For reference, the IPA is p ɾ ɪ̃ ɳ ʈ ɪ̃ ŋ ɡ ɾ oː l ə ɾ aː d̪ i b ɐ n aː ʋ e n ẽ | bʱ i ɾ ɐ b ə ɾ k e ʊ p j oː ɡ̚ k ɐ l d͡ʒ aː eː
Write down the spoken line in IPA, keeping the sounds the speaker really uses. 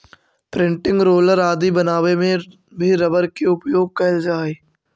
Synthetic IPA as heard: p ɾ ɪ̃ ɳ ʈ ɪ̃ ŋ ɡ ɾ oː l ə ɾ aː d̪ i b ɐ n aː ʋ e m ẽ | bʱ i ɾ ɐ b ə ɾ k e ʊ p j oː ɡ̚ k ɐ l d͡ʒ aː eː